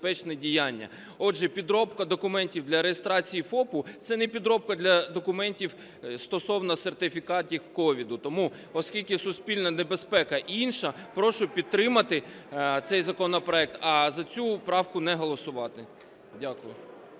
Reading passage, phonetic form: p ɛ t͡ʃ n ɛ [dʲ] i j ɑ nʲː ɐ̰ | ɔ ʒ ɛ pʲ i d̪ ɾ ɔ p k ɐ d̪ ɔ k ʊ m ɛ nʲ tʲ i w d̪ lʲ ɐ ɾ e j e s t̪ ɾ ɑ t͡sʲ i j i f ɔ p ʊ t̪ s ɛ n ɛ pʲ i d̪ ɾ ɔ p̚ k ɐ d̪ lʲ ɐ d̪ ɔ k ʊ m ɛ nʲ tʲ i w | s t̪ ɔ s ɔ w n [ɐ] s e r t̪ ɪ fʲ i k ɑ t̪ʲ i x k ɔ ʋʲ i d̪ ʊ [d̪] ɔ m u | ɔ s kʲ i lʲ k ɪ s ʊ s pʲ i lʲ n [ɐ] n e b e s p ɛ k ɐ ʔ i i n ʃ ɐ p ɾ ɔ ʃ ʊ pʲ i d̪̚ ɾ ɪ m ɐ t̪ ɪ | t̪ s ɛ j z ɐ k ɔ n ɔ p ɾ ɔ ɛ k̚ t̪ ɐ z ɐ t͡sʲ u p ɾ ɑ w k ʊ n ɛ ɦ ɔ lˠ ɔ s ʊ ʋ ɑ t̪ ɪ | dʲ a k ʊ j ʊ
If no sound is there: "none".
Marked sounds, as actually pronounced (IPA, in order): dʲ, ɐ, t̪, ɐ

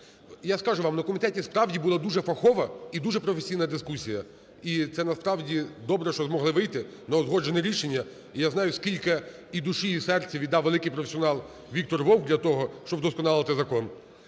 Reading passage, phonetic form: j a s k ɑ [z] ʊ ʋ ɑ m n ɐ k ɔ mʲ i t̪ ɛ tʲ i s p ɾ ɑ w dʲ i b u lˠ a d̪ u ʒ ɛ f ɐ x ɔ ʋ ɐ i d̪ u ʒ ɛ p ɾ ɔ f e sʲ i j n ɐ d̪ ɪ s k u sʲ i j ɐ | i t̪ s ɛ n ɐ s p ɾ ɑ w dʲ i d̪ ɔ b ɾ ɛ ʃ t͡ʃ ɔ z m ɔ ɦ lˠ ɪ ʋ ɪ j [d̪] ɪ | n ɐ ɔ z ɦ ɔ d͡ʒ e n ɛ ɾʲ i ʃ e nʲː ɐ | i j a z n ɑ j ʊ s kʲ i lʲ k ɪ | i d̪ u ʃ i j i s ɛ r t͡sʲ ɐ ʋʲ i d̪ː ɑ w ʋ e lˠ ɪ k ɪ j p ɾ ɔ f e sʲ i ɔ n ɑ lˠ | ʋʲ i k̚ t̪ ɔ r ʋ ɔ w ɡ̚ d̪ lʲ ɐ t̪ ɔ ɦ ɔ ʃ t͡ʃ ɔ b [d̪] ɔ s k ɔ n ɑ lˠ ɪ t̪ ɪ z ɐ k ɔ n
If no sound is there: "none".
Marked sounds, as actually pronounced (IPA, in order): ʒ, t̪, d̪

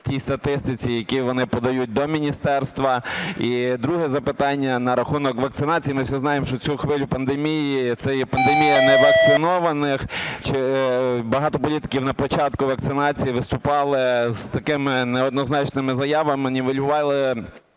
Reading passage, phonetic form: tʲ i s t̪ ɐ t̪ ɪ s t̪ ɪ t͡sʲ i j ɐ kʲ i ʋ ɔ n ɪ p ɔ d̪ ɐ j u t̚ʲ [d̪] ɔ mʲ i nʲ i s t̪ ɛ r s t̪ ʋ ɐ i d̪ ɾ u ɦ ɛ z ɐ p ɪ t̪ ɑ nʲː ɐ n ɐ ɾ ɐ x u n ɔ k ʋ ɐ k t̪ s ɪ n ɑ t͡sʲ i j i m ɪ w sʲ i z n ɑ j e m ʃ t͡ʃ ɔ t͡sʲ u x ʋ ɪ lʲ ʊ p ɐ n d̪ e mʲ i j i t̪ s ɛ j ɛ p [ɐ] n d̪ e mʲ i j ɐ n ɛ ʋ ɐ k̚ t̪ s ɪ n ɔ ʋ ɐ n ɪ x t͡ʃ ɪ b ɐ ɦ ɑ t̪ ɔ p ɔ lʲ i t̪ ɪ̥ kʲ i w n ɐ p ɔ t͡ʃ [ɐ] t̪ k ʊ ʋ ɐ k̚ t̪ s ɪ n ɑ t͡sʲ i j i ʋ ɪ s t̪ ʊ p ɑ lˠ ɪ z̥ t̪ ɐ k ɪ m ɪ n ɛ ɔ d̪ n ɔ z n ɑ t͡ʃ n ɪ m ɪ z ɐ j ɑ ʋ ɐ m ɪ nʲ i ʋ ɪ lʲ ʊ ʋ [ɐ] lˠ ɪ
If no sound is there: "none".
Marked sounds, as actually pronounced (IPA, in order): d̪, ɐ, ɑ, ɑ

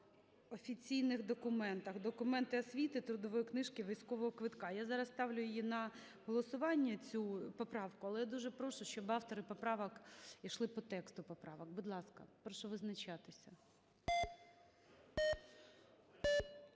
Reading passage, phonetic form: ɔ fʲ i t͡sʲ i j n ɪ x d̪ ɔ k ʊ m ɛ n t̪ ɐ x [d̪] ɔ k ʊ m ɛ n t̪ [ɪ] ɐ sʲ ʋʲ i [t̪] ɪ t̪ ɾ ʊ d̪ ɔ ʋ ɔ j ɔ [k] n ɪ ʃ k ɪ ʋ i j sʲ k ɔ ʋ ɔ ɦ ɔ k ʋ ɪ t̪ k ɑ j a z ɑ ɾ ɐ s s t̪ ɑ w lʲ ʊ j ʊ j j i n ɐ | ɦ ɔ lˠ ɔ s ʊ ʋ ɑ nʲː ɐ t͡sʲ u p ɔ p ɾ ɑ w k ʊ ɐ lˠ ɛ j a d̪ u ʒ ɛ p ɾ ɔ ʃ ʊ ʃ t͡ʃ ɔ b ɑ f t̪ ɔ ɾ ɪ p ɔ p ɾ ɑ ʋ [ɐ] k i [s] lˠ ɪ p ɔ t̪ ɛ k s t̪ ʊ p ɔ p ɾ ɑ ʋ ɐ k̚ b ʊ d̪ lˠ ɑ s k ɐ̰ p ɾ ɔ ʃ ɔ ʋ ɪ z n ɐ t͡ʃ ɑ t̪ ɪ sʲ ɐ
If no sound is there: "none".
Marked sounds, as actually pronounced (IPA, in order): d̪, ɪ, t̪, k, ɐ, ʃ

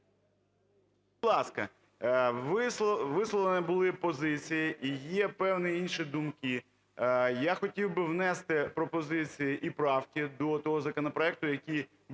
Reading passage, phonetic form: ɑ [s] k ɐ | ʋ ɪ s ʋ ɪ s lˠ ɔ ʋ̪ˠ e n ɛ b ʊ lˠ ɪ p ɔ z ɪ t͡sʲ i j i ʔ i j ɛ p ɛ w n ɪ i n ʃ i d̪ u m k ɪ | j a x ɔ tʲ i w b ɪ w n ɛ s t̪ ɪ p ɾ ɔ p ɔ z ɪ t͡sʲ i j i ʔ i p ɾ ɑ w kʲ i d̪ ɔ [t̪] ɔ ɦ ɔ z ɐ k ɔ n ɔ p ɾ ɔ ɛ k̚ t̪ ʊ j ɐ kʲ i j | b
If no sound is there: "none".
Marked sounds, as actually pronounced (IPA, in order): s, t̪

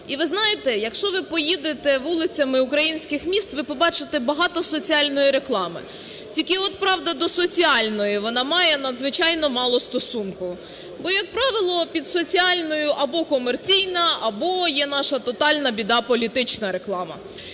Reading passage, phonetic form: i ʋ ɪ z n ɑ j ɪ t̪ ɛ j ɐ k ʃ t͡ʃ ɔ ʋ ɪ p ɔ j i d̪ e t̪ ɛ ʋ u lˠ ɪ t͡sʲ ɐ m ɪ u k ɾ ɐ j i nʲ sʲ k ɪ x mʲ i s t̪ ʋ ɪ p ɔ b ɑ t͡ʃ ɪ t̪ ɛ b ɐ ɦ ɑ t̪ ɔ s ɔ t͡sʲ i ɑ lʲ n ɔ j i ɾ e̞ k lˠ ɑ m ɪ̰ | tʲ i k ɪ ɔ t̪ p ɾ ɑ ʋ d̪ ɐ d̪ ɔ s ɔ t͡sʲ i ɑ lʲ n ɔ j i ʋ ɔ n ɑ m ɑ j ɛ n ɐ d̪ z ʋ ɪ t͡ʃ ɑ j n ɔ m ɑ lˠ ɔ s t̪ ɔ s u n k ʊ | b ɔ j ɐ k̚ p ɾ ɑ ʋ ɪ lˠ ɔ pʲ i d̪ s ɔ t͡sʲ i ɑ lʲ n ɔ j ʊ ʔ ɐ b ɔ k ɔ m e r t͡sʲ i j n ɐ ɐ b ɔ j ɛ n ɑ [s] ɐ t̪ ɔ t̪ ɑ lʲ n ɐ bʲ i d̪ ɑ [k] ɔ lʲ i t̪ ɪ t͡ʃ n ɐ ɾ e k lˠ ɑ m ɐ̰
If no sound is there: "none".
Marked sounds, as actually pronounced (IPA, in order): ʃ, p

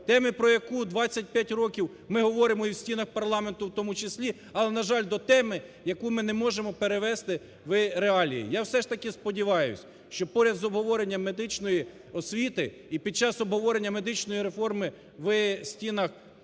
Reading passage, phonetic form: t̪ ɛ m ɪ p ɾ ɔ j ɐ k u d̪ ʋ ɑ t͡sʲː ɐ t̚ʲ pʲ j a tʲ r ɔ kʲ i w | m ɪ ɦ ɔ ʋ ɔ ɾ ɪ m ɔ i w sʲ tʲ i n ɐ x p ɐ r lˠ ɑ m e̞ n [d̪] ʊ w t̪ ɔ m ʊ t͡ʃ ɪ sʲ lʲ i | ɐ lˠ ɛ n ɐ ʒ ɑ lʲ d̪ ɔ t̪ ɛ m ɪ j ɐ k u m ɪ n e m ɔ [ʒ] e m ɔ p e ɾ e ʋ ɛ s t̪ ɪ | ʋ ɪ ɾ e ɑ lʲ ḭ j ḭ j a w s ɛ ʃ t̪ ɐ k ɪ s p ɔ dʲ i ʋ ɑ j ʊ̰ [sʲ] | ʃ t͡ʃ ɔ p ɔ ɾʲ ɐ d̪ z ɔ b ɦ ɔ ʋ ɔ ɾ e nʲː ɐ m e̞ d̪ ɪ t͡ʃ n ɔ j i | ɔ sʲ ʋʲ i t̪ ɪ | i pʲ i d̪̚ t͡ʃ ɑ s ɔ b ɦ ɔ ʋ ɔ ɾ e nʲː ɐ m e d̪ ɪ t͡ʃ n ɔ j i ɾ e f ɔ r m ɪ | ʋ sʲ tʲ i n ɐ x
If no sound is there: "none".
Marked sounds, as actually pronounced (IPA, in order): t̪, ʒ, sʲ

